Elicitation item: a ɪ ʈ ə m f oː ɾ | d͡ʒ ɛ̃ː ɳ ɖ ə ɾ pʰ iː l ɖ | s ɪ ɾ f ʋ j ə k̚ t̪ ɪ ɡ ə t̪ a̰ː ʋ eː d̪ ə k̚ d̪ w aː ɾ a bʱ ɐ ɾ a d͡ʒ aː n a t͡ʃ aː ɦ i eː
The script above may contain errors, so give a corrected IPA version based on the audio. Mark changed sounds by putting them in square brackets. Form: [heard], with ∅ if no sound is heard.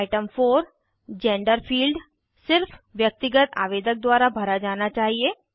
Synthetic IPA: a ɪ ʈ ə m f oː ɾ | d͡ʒ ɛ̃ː ɳ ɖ ə ɾ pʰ iː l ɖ | s ɪ ɾ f ʋ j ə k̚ t̪ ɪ ɡ ə t̪ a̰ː ʋ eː d̪ ə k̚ d̪ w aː ɾ a bʱ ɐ ɾ a d͡ʒ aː n a t͡ʃ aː ɦ i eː